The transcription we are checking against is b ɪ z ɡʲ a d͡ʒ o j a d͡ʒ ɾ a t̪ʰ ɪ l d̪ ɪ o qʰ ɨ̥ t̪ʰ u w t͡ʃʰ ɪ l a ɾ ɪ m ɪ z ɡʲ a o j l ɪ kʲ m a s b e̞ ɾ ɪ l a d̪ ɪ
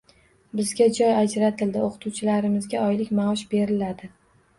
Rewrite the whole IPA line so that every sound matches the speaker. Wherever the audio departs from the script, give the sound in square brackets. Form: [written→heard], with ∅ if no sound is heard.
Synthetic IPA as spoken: b ɪ z ɡʲ a d͡ʒ [o→ɒ] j a d͡ʒ ɾ a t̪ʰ ɪ l d̪ ɪ o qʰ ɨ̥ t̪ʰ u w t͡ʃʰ ɪ l a ɾ ɪ m ɪ z ɡʲ a [o→ɒ] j l ɪ kʲ m a [s→ʃ] b e̞ ɾ ɪ l a d̪ ɪ